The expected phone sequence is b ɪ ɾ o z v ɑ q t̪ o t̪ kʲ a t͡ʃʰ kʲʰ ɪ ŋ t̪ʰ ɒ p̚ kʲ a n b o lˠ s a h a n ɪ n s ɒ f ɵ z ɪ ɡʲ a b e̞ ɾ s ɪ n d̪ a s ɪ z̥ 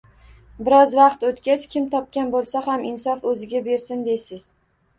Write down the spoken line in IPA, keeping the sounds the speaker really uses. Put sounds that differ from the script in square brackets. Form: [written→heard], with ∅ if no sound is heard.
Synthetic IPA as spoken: b ɪ ɾ [o→ɒ] z v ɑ q t̪ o t̪ kʲ a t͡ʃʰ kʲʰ ɪ [ŋ→m] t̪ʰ ɒ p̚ kʲ a n b o lˠ s a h a [n→m] ɪ n s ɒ f ɵ z ɪ ɡʲ a b e̞ ɾ s ɪ n d̪ [a→e] s ɪ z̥

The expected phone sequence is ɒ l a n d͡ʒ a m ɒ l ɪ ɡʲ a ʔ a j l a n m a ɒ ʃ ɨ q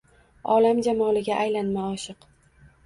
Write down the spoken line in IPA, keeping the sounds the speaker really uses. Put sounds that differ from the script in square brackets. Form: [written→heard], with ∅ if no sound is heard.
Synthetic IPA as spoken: ɒ l a [n→m] d͡ʒ a m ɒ l ɪ ɡʲ a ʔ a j l a n m a ɒ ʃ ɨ q

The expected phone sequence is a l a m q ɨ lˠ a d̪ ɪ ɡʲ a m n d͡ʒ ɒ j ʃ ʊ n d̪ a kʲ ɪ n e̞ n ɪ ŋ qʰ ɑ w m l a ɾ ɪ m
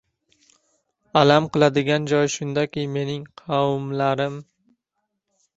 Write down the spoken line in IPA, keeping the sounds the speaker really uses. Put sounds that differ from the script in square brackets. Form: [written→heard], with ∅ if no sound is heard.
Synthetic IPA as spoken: a l a m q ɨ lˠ a d̪ ɪ ɡʲ a [m→∅] n d͡ʒ ɒ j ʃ ʊ n d̪ a kʲ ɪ [n→m] e̞ n ɪ ŋ qʰ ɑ w m l a ɾ ɪ m

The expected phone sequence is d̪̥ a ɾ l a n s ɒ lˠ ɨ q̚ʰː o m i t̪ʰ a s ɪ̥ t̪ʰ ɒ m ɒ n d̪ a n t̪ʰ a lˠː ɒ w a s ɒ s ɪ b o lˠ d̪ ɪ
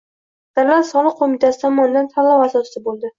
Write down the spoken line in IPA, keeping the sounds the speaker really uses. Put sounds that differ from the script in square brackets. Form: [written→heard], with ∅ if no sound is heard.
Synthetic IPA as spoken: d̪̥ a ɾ l a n s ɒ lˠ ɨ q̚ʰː o m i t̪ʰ a s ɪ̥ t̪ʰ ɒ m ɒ n d̪ a n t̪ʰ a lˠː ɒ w a s ɒ s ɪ b o lˠ d̪ ɪ

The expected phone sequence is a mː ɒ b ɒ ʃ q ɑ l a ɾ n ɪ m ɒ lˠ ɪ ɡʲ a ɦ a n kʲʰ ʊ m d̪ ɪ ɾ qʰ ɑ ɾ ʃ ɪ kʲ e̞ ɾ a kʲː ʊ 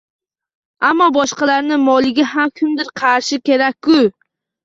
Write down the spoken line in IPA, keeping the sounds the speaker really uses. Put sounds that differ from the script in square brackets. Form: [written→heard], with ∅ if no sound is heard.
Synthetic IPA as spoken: a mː ɒ b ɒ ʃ q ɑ l a ɾ n ɪ m ɒ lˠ ɪ ɡʲ a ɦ a [n→m] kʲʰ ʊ m d̪ ɪ ɾ qʰ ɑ ɾ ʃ ɪ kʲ e̞ ɾ a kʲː ʊ

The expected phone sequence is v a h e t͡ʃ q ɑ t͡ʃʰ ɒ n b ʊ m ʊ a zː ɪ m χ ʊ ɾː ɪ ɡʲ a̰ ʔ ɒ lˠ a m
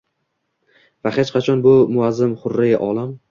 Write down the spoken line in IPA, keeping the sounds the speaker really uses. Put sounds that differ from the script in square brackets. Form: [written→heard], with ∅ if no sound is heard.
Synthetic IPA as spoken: v a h e t͡ʃ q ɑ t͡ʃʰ ɒ n b ʊ m ʊ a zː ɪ m χ ʊ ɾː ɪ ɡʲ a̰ ʔ ɒ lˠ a m

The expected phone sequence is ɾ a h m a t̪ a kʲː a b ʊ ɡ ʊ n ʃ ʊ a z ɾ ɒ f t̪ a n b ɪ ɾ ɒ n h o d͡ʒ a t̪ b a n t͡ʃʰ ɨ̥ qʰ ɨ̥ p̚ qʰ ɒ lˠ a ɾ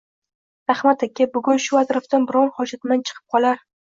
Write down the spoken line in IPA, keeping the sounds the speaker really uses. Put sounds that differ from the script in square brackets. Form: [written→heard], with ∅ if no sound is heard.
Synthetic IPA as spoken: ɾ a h m a t̪ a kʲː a b ʊ ɡ ʊ n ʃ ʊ a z ɾ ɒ f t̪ a n b ɪ ɾ ɒ n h [o→ɒ] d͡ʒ a t̪ [b→m] a n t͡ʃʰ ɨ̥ qʰ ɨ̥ p̚ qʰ ɒ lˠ a ɾ

